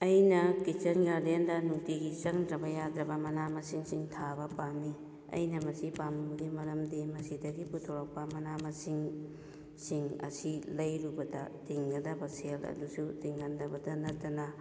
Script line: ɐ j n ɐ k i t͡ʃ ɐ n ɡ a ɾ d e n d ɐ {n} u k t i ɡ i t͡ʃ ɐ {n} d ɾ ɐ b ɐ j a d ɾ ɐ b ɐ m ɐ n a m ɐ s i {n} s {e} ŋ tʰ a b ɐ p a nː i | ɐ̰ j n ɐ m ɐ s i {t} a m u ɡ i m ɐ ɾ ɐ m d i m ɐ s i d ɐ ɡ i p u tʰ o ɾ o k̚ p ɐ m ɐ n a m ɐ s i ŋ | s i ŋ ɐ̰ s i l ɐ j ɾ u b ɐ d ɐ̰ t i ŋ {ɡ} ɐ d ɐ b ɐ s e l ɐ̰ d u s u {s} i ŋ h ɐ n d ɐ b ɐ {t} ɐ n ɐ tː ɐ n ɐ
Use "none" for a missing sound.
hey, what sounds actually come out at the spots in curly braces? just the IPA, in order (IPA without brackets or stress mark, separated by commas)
n, ŋ, ŋ, i, p, ɡ, t, d